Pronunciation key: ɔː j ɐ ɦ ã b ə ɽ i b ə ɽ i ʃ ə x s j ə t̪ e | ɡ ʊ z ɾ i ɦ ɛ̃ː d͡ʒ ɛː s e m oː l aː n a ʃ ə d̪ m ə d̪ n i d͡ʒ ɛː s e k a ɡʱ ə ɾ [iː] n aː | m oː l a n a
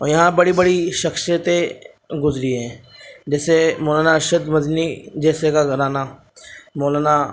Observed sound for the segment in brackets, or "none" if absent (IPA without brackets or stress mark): aː